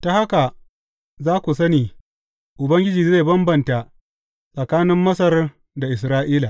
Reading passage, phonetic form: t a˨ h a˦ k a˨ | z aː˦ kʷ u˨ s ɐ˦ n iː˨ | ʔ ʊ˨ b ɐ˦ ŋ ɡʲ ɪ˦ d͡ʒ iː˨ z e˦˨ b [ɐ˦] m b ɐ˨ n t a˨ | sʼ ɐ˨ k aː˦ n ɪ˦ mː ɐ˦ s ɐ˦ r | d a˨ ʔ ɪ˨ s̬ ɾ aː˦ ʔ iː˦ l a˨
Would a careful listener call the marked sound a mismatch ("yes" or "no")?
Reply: no